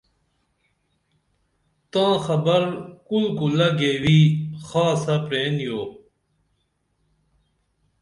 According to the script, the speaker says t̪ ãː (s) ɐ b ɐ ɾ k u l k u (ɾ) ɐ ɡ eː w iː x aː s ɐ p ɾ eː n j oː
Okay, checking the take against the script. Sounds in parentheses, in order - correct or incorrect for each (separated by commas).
incorrect, incorrect